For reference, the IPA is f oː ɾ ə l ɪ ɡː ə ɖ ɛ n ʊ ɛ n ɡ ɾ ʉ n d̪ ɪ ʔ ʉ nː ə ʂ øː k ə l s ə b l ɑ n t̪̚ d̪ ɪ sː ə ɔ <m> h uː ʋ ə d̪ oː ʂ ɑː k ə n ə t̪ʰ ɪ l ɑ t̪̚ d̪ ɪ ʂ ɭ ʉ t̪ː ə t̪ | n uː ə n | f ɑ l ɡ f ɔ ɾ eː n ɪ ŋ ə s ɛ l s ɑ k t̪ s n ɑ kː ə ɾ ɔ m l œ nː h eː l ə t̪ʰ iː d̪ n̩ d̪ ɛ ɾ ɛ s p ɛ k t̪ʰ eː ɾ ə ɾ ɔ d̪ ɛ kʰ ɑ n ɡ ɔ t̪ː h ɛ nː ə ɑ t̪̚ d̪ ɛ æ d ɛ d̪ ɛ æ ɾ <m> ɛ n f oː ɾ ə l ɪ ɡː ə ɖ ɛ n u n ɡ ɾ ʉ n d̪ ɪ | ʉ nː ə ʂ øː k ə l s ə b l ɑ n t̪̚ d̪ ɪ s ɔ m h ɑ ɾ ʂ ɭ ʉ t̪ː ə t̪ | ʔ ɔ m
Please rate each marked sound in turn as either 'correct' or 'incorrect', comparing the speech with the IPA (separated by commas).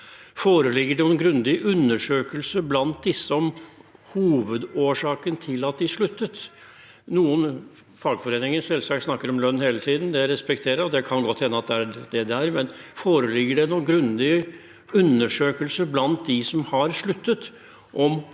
correct, correct